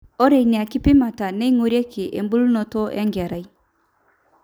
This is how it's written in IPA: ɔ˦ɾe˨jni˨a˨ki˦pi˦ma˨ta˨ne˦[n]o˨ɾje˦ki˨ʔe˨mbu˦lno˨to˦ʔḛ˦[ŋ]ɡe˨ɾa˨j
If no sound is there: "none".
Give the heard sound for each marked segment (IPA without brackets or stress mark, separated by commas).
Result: ŋ, ŋ